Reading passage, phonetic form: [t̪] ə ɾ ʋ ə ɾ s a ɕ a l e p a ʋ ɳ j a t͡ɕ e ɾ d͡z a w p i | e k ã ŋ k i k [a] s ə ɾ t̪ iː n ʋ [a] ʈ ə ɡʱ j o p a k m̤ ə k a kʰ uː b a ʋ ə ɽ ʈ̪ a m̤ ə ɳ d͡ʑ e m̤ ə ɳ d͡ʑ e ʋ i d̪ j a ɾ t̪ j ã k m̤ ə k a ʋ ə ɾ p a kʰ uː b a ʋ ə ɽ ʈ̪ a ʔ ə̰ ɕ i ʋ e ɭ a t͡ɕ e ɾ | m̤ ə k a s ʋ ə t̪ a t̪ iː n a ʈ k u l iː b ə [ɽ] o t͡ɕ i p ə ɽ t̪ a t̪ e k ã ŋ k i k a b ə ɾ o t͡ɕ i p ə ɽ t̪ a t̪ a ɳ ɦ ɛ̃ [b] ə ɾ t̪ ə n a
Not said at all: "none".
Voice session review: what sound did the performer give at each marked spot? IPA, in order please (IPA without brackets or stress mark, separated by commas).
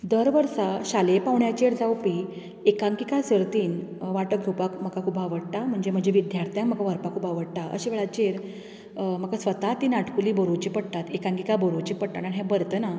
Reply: d̪, a, a, ɾ, b